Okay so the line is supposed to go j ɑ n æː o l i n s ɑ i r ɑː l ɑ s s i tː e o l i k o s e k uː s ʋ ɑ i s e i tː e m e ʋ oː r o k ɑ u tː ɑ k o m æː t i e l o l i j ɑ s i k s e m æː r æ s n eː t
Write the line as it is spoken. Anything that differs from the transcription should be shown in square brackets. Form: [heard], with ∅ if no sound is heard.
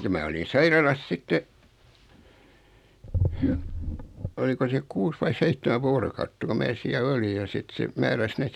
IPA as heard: j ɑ [m] æː o l i n s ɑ i r [ɑ] l ɑ s s i tː e o l i k o s e k uː s ʋ ɑ i s e i tː e m [æ] ʋ oː r o k ɑ u tː ɑ k o m æː [s] i [æ] l o l i j ɑ s i [t] s e m æː r æ s n eː t

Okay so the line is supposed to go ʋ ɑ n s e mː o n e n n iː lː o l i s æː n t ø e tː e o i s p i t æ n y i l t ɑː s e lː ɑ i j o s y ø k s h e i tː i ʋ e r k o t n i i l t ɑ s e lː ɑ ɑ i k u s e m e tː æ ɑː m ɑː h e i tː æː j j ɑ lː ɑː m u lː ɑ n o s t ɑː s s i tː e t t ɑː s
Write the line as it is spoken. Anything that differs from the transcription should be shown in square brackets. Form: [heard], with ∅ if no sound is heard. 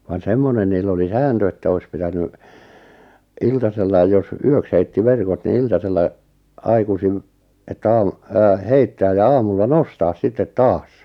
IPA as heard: ʋ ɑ n s e mː o n e n n iː lː o l i s æː n t ø e tː [æ] o i s p i t æ n y i l t [ɑ] s e lː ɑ i j o s y ø k s h e i tː i ʋ e r k o t n i i l t ɑ s e lː ɑ ɑ i k u s [i] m e tː æ ɑː m ɑː h e i tː æː j j ɑ [∅] ɑː m u lː ɑ n o s t ɑː s s i tː e t t ɑː s

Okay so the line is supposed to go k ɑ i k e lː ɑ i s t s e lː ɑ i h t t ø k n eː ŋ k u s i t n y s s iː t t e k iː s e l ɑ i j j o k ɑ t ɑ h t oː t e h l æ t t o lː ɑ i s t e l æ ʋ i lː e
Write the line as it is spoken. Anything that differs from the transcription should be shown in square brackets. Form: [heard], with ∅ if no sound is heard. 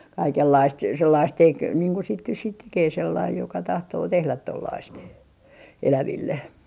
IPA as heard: k ɑ i k e lː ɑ i s t s e lː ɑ i [s] t t [e] k n [iː] ŋ k u s i t n y s s iː t t e k [eː] s e [lː] ɑ i j j o k ɑ t ɑ h t oː t e h l æ t t o lː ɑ i s t e l æ ʋ i lː e

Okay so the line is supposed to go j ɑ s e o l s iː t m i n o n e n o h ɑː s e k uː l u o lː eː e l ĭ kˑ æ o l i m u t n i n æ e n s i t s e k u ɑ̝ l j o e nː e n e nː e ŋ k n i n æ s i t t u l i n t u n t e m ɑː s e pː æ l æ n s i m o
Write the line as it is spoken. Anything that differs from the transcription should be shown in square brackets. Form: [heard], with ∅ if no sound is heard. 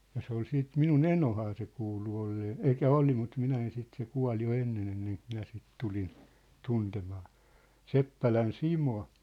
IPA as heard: j ɑ s e o l s iː t m i n [u] n e n o h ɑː s e k uː l u o lː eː e l ĭ kˑ æ o l i m u t [m] i n æ e n s i t s e k u ɑ̝ l j o e nː e n e nː e ŋ k [m] i n æ s i t t u l i n t u n t e m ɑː s e pː æ l æ n s i m o

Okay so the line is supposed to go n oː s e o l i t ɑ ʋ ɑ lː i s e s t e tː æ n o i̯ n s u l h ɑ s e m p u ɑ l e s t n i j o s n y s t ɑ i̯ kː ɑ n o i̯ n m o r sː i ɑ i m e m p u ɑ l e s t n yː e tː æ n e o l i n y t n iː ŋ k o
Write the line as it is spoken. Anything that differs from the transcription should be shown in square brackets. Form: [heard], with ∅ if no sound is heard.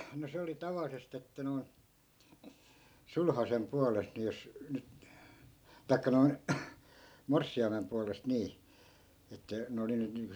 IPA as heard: n [o] s e o l i t ɑ ʋ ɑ lː i s e s t e tː æ n o i̯ n s u l h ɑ s e m p u ɑ l e s t n i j o s n y [t] t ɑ i̯ kː ɑ n o i̯ n m o r sː i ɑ i m e m p u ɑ l e s t n [iː] e tː æ n e o l i n y t n iː ŋ k o

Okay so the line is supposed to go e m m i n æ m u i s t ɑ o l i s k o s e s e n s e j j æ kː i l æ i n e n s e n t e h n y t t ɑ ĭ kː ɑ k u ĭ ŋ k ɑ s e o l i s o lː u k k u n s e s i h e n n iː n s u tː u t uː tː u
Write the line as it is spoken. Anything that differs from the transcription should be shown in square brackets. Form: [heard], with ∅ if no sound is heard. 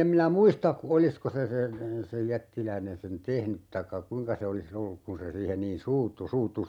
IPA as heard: e m m i n æ m u i s t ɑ o l i s k o s e s e n s e j j æ [tː] i l æ i n e n s e n t e h n y t t ɑ ĭ kː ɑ k u ĭ ŋ k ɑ s e o l i s o lː u k k u n s e s [iː] h e n n iː n s [uː] tː u [s] uː tː u

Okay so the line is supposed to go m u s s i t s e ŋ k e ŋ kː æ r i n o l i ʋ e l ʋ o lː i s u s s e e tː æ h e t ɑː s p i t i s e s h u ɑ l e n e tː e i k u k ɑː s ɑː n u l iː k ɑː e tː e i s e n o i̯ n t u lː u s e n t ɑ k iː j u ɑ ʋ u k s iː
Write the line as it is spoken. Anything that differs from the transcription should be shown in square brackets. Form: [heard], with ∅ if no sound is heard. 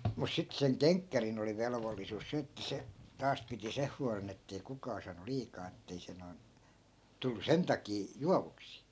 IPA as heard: m u s s i t s e ŋ k e ŋ kː æ r i n o l i ʋ e l ʋ o lː i s u s s e e tː æ [s] e t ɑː s p i t i s e [h] h u ɑ l e n e tː e i k u k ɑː s ɑː n u l iː k ɑː e tː e i s e n o i̯ n t u lː u s e n t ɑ k iː j u ɑ ʋ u k s iː

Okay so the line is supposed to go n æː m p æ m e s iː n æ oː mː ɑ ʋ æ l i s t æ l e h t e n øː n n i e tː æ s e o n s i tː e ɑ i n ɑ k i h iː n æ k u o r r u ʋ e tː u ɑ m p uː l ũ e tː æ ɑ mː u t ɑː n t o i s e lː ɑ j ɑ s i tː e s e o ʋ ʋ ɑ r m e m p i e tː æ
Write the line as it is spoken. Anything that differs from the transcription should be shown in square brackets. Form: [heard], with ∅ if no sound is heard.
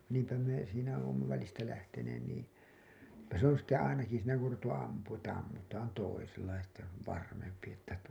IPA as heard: n [iː] m p æ m e s iː n æ oː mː ɑ ʋ æ l i s t æ l [æ] h t e n [eː] n n [iː] e tː æ s e o n s i tː e ɑ i n ɑ k i [s] iː n æ k u o r r u ʋ e tː u ɑ m p uː [∅] ũ e tː æ ɑ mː u t ɑː n t o i s e lː ɑ j ɑ s i tː e s e o ʋ ʋ ɑ r m e m p i e tː æ

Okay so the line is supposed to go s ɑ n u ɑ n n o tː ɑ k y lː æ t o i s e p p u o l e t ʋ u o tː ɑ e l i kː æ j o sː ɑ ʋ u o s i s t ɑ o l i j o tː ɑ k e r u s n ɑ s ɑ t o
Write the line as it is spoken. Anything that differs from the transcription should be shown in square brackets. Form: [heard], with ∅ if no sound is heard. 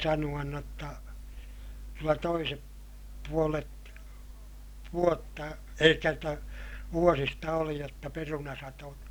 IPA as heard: s ɑ n u ɑ n n o tː ɑ k y lː æ t o i s e p p u o l e t ʋ u o tː ɑ e l i kː æ j o [tː] ɑ ʋ u o s i s t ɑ o l i j o tː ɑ [p] e r u [∅] n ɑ s ɑ t o

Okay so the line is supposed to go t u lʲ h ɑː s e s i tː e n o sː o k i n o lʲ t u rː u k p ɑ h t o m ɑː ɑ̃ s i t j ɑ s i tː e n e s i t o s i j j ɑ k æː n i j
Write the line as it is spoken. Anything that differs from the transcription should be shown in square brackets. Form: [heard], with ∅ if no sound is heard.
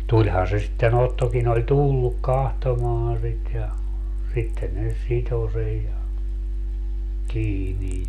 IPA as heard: t u lʲ h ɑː s e s i tː e n o [tː] o k i n o lʲ t u [lː] u k [k] ɑ h t o m ɑː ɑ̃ s i t j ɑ s i tː e n e s i t o s [e] j j ɑ k [iː] n i j

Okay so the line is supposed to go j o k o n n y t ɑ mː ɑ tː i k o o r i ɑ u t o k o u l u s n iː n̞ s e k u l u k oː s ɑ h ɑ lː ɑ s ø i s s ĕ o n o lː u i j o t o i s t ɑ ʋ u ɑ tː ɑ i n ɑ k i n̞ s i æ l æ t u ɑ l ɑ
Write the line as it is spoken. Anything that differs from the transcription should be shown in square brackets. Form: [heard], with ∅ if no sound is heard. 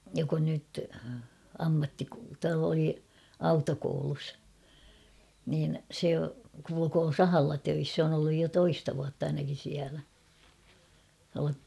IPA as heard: j o k o n n y t ɑ mː ɑ tː i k o o [l] i ɑ u t o k o u l u s n iː n̞ s e k u l u k oː s ɑ h ɑ lː ɑ [t] ø i s s ĕ o n o lː u [j] j o t o i s t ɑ ʋ u ɑ tː ɑ i n ɑ k i n̞ s i æ l æ t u ɑ l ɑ

